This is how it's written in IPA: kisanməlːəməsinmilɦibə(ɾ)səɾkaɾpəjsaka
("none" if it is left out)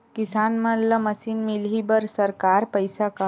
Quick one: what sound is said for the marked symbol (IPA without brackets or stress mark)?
ɾ